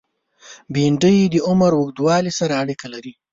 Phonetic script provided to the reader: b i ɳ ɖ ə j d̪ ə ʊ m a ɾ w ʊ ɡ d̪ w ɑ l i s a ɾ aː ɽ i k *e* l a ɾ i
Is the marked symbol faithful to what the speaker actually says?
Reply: no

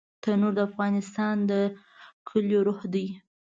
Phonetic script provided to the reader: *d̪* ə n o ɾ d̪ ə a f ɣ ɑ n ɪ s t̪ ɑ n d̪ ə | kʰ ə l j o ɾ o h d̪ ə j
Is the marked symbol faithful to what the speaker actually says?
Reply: no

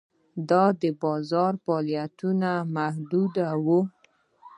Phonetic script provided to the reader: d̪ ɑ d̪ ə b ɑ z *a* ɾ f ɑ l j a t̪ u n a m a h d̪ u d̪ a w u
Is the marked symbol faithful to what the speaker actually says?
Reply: no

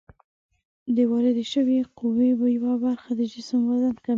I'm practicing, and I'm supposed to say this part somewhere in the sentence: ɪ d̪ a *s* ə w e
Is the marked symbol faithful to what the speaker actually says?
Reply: no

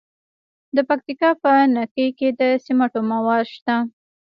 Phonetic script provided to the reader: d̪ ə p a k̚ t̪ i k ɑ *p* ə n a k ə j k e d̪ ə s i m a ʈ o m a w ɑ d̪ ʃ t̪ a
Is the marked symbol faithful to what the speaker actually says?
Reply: yes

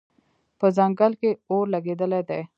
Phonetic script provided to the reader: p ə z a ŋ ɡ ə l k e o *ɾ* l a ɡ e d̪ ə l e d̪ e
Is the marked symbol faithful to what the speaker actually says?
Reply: yes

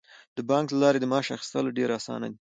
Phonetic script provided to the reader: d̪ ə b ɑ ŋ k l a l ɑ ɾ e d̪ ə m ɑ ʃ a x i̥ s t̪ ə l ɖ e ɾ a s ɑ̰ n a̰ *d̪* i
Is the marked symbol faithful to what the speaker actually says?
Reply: yes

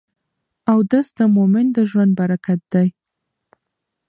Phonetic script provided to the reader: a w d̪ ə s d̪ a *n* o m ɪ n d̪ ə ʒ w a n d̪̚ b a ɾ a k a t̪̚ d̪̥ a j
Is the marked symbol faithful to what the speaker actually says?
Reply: no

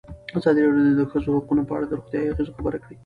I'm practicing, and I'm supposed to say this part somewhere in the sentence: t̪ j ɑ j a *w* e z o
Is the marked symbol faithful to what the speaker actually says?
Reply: no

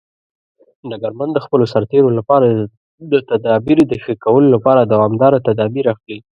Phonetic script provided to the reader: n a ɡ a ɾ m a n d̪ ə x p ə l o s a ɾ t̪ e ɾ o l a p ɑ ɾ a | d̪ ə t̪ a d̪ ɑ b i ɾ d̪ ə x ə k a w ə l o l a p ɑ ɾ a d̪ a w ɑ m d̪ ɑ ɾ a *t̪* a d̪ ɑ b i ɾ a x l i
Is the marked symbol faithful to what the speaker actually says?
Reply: yes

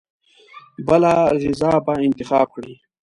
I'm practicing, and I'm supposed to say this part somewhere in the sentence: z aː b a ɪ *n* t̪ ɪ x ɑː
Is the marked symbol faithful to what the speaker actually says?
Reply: yes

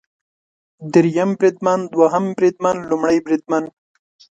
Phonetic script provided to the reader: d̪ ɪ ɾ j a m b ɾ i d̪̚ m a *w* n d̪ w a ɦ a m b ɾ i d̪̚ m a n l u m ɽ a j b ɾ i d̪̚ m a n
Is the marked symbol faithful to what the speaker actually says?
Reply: no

